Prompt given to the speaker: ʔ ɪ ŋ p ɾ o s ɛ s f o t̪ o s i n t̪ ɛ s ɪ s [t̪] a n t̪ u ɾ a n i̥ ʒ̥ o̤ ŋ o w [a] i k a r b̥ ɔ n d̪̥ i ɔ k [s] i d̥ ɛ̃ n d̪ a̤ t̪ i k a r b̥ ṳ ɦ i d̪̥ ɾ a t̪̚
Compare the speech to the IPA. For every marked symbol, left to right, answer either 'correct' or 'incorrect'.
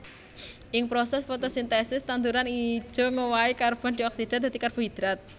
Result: correct, correct, correct

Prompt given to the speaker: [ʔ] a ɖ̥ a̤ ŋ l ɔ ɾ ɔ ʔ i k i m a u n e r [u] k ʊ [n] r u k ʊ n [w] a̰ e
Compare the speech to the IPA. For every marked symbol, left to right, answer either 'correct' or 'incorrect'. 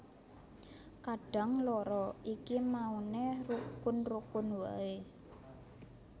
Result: incorrect, correct, correct, correct

